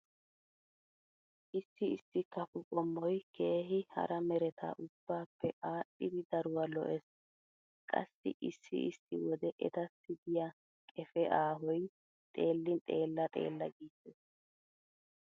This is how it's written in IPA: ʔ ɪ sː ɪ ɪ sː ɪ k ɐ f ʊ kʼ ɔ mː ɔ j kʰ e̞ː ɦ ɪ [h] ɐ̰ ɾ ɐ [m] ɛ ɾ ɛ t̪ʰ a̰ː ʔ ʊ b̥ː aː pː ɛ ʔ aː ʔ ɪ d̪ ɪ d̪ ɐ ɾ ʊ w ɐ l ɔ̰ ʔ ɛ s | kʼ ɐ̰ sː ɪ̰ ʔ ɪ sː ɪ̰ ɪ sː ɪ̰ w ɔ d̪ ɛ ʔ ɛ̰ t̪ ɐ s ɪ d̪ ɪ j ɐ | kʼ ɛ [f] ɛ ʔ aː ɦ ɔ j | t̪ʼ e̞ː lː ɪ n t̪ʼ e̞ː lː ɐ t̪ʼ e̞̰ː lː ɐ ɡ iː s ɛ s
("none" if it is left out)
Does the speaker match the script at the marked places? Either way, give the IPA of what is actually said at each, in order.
h, m, f

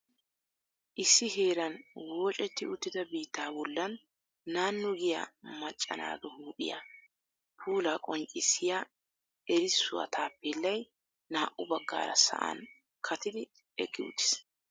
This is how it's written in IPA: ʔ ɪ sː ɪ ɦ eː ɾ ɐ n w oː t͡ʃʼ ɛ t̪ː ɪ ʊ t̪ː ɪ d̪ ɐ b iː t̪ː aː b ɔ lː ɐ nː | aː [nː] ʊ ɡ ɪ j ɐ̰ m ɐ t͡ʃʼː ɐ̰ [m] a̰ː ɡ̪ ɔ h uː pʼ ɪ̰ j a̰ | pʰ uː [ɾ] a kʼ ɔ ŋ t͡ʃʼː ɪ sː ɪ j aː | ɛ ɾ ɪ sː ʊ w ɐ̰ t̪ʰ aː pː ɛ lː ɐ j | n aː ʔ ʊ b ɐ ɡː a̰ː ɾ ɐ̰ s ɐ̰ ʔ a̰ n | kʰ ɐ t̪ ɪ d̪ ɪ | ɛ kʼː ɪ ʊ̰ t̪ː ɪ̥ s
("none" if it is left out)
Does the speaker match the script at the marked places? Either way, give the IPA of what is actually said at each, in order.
nː, n, l

